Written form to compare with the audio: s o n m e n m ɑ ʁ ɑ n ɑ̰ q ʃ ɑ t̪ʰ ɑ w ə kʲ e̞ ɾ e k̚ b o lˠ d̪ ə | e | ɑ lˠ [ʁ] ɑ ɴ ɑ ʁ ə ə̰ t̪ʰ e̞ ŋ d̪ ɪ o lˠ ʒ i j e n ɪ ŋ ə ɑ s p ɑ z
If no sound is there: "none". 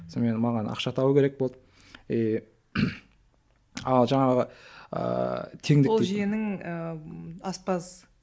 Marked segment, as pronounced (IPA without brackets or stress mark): ʒ